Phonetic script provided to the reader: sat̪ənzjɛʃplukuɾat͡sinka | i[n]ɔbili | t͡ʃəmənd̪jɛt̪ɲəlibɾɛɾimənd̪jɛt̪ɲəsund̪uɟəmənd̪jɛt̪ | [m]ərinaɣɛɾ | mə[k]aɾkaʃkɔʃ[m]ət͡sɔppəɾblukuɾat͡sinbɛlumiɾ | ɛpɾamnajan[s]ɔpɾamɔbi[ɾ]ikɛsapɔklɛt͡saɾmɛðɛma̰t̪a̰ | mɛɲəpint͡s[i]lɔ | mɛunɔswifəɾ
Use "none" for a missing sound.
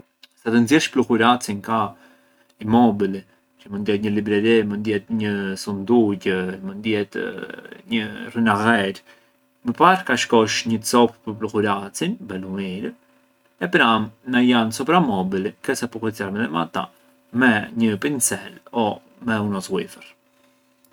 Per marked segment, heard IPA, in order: m, ɲ, p, ɲ, s, l, ɛ

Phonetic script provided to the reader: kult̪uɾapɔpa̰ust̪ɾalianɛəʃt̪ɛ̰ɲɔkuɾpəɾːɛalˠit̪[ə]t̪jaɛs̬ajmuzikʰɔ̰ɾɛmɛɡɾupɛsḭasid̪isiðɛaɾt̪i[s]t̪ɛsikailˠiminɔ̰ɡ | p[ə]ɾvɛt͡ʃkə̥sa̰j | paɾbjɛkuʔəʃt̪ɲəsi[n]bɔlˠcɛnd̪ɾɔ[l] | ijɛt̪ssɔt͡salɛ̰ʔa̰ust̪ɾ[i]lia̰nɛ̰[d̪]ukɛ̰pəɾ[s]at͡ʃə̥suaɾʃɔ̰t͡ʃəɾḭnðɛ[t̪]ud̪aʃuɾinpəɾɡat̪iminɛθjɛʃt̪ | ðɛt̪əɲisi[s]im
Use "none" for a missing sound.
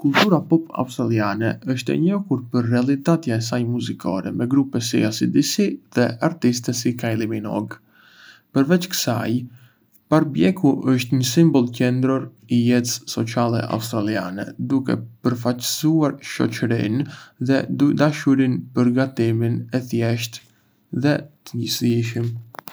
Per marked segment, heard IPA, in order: a, s, ə, m, ɾ, a, d̪, f, d̪, ʃ

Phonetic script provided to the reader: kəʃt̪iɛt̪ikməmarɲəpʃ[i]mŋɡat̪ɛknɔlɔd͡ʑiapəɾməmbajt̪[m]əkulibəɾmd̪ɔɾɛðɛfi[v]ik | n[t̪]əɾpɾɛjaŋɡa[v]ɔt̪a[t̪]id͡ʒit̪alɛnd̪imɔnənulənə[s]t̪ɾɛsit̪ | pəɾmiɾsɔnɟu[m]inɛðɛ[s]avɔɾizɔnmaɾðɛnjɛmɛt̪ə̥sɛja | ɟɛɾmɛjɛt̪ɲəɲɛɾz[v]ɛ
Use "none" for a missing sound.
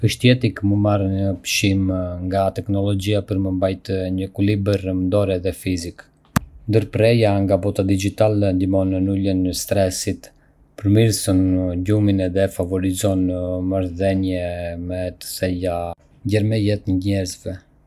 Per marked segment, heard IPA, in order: i, ɲ, z, d̪, b, d̪, s, m, f, v

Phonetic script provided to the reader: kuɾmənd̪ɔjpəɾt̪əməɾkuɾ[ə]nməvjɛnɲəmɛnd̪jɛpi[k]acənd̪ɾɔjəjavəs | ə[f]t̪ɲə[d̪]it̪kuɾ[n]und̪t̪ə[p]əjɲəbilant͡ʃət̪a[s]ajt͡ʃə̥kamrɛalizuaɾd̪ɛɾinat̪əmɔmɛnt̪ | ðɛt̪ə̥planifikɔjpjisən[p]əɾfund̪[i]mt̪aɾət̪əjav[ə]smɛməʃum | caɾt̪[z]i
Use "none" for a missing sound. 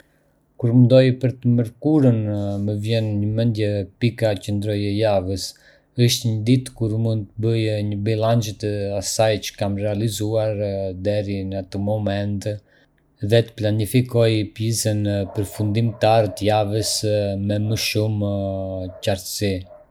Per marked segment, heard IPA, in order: ə, k, ʃ, d̪, m, b, s, p, i, ə, s

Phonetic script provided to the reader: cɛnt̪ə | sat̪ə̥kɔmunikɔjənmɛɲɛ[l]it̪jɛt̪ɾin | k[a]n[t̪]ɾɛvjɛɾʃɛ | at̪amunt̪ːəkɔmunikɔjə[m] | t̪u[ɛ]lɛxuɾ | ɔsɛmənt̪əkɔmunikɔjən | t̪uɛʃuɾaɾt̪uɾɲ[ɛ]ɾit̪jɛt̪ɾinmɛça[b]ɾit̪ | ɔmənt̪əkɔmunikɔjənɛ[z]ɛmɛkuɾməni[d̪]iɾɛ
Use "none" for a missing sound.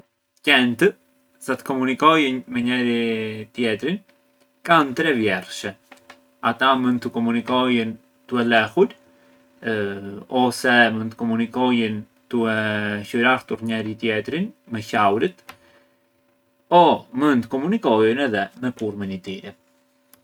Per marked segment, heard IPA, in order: ɾ, a, t̪, n, ɛ, ɛ, w, ð, t̪

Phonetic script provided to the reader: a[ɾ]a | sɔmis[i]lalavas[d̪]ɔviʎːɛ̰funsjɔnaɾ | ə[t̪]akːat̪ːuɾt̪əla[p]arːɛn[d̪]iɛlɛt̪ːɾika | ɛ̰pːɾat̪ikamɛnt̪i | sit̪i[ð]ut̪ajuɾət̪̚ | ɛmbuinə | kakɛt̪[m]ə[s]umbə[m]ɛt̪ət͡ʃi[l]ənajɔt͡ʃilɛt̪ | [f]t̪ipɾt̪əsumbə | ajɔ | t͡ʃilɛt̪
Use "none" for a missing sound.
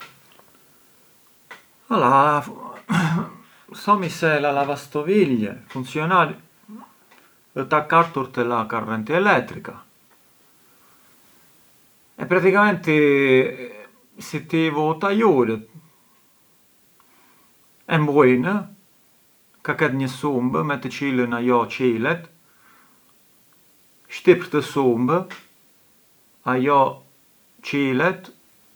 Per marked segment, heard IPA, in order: l, ɛ, t̪, t̪, k, t̪, v, ɲ, s, m, l, ʃ

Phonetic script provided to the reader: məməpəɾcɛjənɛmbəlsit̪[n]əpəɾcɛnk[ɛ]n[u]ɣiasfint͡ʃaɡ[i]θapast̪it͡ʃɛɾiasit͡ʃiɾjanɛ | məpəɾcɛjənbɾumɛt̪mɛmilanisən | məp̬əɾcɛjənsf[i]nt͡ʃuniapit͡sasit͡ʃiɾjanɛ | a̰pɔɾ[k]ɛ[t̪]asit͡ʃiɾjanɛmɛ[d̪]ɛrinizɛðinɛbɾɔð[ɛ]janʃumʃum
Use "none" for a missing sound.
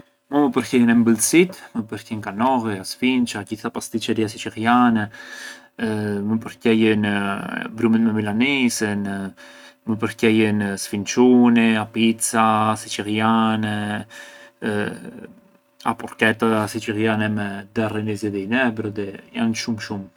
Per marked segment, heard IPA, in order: m, a, ɔ, i, i, k, t̪, d̪, ɛ

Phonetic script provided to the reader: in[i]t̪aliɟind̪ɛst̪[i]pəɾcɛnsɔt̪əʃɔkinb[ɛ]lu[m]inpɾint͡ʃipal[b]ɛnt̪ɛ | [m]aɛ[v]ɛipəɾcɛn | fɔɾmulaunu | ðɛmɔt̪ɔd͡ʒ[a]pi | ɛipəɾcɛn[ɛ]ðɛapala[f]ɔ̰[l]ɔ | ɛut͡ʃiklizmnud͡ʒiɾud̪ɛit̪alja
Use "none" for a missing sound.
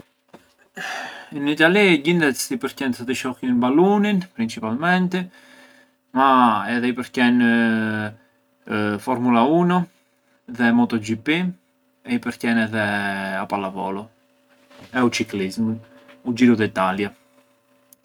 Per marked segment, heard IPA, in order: i, i, a, n, m, m, ð, i, ɛ, v, l

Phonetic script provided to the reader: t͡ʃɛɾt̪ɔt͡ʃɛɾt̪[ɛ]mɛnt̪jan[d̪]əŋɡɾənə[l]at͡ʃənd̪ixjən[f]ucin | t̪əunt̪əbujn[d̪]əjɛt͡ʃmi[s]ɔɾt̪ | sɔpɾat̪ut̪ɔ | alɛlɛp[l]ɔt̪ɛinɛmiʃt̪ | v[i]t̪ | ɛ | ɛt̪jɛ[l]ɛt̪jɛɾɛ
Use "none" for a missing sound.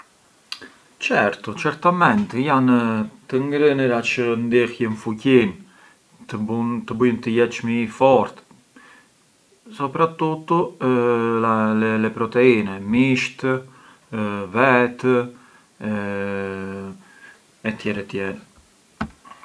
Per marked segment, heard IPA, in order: a, t̪, ɾ, f, t̪, f, ɾ, ɛ, ɾ

